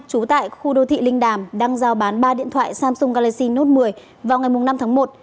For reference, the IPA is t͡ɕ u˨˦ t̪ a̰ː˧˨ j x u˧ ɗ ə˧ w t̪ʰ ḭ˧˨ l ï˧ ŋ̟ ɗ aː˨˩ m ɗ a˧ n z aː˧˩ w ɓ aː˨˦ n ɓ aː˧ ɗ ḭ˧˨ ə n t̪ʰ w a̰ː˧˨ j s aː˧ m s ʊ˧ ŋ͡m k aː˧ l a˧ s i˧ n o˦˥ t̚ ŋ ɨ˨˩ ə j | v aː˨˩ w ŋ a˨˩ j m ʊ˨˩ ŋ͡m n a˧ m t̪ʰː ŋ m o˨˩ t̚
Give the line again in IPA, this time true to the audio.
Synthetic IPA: t͡ɕ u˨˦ t̪ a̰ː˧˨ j x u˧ ɗ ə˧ w t̪ʰ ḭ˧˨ l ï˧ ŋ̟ ɗ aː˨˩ m ɗ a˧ ŋ z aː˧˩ w ɓ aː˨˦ n ɓ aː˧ ɗ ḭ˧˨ ə n t̪ʰ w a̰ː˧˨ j s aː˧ m s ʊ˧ ŋ͡m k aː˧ l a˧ s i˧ n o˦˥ t̚ m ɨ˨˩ ə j | v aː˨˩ w ŋ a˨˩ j m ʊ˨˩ ŋ͡m n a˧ m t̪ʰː ŋ m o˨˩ t̚